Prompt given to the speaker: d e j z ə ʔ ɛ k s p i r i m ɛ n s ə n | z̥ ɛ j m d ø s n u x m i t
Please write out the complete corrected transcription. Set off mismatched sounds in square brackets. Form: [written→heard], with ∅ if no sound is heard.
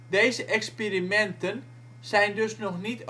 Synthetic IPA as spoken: d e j z ə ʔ ɛ k s p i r i m ɛ n [s→t] ə n | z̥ ɛ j [m→n] d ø s n [u→ɔ] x [m→n] i t